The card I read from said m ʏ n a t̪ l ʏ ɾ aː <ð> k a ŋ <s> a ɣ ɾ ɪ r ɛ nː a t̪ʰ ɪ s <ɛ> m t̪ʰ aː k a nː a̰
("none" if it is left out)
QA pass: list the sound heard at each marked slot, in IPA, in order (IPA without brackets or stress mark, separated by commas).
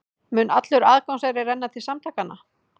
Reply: ð, s, a